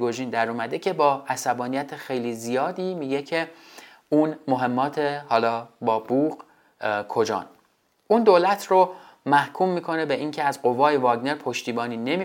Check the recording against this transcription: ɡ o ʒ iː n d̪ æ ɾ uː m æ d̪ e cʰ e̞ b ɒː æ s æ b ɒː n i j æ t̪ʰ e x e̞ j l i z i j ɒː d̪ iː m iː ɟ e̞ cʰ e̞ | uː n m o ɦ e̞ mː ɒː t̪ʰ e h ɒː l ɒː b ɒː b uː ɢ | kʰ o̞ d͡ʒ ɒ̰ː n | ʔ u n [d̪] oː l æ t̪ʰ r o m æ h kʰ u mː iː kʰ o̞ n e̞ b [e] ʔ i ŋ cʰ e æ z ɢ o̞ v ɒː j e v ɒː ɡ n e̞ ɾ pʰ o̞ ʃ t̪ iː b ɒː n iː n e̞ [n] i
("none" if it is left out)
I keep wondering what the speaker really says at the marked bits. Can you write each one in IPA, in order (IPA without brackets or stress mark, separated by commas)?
d̪, e, m